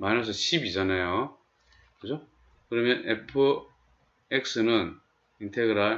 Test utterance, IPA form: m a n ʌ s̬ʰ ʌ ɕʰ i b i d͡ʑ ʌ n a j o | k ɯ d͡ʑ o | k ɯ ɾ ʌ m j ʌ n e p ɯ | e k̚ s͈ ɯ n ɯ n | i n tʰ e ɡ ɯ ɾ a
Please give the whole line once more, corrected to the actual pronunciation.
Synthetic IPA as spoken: m a n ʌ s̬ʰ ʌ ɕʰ i b i d͡ʑ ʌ n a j o | k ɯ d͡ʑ o | k ɯ ɾ ʌ m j ʌ n e pʰ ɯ | e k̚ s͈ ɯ n ɯ n | i n tʰ e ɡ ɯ ɾ a